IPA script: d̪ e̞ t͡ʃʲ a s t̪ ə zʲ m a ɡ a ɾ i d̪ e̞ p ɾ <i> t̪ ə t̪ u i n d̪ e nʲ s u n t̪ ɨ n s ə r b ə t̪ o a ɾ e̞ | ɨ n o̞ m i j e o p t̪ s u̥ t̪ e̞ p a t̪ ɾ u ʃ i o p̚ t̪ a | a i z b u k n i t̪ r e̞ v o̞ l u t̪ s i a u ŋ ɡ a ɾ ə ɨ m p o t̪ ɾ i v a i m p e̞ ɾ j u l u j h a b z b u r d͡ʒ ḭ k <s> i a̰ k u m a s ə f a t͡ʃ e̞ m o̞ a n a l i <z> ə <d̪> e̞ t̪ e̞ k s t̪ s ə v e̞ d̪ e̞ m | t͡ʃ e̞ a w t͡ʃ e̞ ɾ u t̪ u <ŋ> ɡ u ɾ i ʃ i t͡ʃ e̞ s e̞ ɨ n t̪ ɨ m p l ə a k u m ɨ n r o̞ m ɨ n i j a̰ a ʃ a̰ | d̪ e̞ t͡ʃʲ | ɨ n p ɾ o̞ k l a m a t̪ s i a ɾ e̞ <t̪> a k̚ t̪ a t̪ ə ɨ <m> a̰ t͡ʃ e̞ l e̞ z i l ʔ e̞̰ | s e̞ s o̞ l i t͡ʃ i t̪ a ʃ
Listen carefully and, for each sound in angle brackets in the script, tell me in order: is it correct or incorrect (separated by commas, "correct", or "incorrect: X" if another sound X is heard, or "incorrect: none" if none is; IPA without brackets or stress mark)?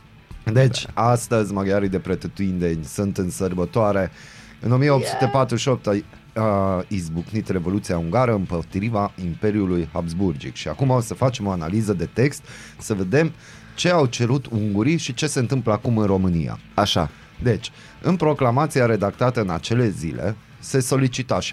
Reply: incorrect: e, incorrect: ʃ, correct, correct, correct, incorrect: d̪, incorrect: n